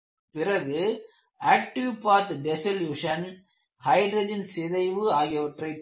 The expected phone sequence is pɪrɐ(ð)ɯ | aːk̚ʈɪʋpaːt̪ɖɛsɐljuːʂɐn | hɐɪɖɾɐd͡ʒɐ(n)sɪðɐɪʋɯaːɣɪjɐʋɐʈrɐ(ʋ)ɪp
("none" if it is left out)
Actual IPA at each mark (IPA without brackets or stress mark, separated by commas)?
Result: ɣ, n, none